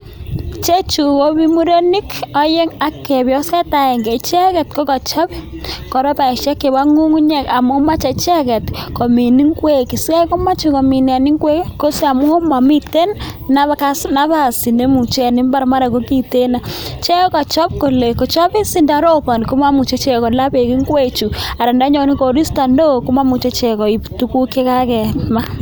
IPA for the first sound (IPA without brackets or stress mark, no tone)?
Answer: t͡ʃ